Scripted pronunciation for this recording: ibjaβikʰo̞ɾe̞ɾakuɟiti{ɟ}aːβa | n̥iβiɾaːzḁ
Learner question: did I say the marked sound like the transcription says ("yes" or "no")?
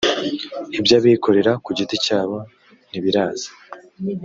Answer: no